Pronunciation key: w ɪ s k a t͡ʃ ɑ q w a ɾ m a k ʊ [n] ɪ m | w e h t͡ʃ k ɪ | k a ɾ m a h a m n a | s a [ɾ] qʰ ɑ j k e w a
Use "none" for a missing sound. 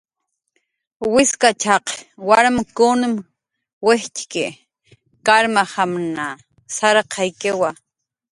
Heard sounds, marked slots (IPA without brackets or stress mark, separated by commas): n, ɾ